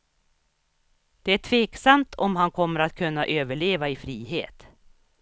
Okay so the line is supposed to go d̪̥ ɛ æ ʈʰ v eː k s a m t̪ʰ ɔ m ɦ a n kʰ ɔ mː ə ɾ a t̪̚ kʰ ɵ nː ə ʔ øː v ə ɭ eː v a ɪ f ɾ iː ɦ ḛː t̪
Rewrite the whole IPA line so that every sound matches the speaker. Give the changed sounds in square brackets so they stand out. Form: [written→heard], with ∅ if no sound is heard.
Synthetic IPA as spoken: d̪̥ ɛ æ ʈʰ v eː k s a m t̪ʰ ɔ m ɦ a n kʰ ɔ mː ə ɾ a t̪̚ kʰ ɵ nː [ə→a] ʔ øː v ə ɭ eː v a ɪ f ɾ iː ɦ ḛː t̪